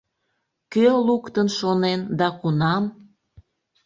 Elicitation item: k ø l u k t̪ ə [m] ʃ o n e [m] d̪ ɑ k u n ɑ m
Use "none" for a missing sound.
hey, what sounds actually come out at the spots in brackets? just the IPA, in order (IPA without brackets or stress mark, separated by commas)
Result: n, n